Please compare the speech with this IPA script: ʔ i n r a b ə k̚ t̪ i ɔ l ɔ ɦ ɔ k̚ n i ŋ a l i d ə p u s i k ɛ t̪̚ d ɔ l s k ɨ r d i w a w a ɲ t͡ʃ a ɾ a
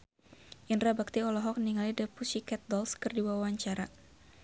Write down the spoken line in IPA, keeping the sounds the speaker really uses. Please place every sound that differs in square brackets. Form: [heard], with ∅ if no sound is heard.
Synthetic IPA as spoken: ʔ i n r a b [a] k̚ t̪ i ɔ l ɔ ɦ ɔ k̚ n i ŋ a l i d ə p u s i k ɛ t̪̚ d ɔ l s k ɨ r d i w a w a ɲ t͡ʃ a ɾ a